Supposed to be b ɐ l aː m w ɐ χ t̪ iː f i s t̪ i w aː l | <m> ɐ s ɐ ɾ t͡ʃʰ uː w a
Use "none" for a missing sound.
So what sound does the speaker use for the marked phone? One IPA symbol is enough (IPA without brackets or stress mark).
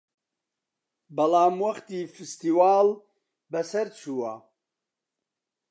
b